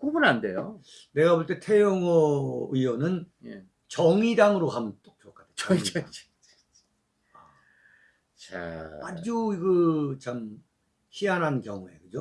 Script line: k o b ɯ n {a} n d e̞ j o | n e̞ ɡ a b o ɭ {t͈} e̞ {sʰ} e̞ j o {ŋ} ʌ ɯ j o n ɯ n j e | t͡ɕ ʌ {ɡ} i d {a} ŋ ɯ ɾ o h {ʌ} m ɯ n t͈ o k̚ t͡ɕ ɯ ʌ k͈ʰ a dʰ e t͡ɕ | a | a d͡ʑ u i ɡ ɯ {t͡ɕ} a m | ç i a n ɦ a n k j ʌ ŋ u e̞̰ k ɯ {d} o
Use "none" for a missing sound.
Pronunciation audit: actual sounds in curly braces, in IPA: a, t͈, tʰ, ŋ, ŋ, a, a, t͡ɕ, d͡ʑ

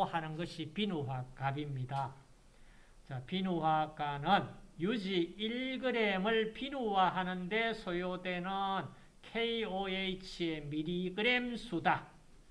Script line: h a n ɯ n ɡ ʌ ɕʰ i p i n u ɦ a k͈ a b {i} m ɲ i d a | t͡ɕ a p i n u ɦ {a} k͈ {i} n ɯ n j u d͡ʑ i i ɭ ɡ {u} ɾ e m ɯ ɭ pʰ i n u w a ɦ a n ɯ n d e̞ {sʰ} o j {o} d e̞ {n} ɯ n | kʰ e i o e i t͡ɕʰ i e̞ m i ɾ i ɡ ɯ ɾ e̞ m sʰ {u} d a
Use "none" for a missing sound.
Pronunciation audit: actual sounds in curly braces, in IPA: i, a, a, ɯ, sʰ, o, n, u

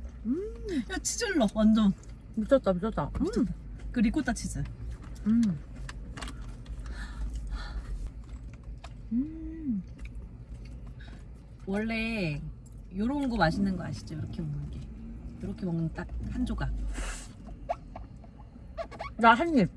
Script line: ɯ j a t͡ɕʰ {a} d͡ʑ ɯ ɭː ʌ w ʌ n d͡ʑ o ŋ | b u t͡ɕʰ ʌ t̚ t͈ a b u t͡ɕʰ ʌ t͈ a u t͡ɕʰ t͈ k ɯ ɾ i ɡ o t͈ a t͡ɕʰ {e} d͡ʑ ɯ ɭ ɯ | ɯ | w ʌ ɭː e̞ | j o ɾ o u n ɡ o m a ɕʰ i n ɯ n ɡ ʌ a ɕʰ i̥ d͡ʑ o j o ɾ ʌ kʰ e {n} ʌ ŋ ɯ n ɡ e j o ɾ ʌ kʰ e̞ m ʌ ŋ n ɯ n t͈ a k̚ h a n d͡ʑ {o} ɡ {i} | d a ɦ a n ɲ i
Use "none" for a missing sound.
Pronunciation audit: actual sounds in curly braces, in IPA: i, i, m, o, a

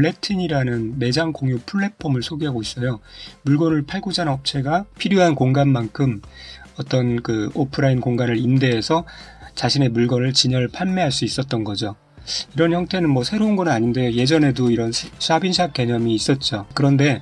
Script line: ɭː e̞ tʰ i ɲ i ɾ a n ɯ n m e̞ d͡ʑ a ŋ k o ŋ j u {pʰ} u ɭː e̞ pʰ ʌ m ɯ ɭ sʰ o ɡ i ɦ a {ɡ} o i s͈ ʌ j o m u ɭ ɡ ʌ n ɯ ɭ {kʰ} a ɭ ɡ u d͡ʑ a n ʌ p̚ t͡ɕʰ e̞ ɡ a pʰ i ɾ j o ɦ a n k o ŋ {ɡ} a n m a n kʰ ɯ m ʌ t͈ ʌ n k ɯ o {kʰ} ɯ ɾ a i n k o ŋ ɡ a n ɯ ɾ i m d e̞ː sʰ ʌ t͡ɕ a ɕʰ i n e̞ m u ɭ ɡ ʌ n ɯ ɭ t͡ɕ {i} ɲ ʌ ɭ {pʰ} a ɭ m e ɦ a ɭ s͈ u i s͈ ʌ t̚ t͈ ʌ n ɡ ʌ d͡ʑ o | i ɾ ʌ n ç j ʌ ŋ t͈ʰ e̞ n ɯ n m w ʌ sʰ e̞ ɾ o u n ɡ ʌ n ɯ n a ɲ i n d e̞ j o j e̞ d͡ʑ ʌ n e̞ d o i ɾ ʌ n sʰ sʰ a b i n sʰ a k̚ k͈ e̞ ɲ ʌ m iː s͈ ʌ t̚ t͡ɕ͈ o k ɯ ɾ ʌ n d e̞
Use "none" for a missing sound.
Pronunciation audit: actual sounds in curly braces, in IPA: pʰ, ɡ, pʰ, ɡ, pʰ, i, pʰ

